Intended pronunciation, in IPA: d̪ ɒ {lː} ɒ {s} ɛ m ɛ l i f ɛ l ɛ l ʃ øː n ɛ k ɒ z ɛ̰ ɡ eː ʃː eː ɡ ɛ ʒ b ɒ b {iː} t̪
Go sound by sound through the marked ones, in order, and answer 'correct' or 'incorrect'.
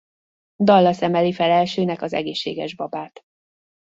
correct, correct, incorrect: aː

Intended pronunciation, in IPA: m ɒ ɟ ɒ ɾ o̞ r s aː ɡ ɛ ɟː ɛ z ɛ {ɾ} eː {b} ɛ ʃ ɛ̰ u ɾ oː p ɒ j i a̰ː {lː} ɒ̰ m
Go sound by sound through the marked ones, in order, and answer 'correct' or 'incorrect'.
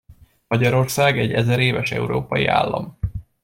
correct, incorrect: v, correct

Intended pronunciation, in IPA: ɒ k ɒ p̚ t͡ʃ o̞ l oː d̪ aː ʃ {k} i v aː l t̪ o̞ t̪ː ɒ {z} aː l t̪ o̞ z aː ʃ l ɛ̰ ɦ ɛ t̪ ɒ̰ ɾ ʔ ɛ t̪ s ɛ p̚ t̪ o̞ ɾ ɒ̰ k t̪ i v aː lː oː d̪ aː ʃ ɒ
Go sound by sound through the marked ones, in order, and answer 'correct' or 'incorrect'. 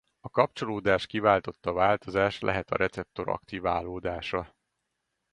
correct, incorrect: v

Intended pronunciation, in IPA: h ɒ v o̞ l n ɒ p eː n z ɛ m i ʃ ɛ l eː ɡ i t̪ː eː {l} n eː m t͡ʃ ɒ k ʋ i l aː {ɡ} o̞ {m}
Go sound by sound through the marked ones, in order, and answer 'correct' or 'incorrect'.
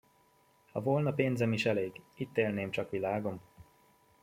correct, correct, correct

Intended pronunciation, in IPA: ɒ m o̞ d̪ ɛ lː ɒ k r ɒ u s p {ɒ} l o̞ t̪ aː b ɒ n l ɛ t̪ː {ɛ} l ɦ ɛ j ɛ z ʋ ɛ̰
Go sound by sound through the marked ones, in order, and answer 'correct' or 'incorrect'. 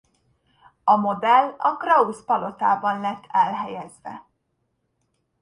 correct, correct

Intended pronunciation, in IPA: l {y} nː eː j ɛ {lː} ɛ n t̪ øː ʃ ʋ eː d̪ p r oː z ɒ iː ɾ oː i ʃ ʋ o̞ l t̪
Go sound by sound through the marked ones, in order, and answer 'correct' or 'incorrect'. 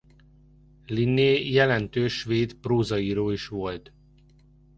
incorrect: i, incorrect: l

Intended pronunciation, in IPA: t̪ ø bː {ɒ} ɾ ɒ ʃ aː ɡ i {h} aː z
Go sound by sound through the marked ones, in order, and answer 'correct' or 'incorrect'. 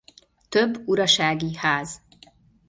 incorrect: u, correct

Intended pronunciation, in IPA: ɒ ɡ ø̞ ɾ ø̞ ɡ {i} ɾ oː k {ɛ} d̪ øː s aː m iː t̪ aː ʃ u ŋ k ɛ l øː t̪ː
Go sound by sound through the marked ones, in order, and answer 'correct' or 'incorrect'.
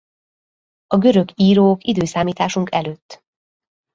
incorrect: iː, incorrect: i

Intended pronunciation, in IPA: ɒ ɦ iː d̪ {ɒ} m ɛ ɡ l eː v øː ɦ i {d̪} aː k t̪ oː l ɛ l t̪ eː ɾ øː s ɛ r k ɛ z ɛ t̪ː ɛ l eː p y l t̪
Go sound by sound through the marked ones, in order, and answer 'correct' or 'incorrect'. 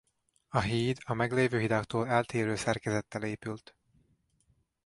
correct, correct

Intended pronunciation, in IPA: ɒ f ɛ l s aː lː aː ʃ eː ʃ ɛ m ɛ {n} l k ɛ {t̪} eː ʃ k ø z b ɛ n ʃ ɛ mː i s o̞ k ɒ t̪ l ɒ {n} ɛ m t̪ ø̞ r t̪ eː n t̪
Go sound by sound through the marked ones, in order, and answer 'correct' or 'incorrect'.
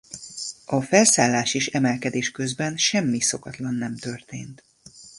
incorrect: none, incorrect: d̪, incorrect: nː

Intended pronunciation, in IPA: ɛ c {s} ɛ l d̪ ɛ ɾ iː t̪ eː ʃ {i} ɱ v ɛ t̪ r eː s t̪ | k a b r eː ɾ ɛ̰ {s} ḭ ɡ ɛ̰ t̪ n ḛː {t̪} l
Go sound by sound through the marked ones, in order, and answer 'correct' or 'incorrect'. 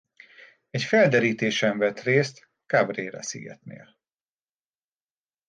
incorrect: f, incorrect: ɛ, correct, incorrect: none

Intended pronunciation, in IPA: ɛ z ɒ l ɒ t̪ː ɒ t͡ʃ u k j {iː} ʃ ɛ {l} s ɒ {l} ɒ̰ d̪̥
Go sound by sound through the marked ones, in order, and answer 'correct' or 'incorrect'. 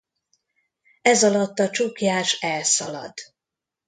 incorrect: aː, correct, correct

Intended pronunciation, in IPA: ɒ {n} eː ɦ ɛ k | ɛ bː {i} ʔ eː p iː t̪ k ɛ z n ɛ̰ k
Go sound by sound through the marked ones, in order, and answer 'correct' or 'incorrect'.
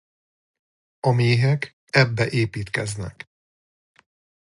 incorrect: m, incorrect: ɛ

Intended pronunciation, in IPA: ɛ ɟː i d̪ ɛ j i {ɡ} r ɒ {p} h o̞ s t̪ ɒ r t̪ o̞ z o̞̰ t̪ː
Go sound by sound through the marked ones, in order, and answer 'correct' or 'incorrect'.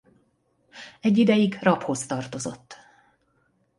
correct, correct

